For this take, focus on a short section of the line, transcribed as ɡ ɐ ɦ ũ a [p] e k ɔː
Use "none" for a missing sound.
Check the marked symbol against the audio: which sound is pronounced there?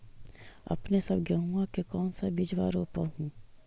k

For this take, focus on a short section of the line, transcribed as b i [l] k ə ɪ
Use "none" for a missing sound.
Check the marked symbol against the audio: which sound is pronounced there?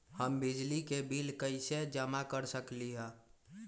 l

